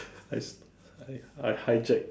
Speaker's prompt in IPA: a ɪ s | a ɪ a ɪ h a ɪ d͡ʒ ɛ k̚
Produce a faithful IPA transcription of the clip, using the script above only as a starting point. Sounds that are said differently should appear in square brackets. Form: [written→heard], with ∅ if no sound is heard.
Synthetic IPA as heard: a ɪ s | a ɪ a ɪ h a ɪ d͡ʒ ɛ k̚